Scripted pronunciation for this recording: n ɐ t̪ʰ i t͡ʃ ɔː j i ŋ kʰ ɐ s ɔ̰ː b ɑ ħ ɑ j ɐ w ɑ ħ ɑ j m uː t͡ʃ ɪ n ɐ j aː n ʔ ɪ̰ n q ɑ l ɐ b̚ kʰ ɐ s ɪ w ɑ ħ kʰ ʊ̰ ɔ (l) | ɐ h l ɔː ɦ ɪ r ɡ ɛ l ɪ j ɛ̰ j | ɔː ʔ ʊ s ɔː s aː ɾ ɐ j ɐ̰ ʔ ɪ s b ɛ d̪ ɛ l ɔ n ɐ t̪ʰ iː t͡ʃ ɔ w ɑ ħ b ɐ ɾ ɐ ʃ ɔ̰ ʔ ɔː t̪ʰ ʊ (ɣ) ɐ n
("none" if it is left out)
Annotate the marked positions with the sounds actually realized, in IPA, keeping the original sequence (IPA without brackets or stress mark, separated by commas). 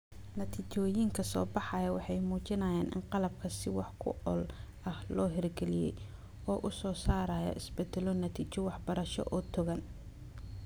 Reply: l, ɣ